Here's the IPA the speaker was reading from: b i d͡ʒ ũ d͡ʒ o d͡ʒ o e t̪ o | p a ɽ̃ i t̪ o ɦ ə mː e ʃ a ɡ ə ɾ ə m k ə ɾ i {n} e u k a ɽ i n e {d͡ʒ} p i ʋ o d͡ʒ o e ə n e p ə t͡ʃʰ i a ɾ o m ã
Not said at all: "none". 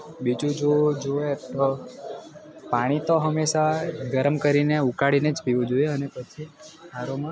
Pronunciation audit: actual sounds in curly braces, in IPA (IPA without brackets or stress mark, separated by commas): n, d͡ʒ